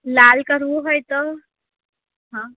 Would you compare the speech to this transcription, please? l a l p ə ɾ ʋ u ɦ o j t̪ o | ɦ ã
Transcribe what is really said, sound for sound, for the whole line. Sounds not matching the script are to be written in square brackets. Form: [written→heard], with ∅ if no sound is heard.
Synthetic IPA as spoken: l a l [p→k] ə ɾ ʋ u ɦ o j t̪ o | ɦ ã